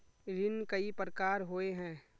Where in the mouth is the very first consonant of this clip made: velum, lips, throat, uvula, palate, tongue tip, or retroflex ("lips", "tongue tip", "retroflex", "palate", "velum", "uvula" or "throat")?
tongue tip